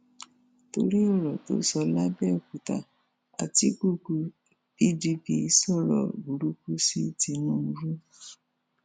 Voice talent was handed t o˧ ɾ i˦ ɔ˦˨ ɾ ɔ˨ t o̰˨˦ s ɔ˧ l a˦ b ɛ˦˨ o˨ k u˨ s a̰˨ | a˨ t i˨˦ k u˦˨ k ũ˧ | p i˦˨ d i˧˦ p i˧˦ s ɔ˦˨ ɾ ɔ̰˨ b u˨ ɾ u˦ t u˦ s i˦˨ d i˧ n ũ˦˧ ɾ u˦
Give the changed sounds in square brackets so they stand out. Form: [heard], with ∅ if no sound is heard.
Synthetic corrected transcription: t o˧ ɾ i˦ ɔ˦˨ ɾ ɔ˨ t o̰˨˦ s ɔ˧ l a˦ b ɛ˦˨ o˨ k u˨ [t] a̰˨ | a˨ t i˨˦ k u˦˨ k [u˧] | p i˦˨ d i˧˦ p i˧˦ s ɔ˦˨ ɾ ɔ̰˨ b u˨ ɾ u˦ [k] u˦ s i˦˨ [t] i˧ n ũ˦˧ ɾ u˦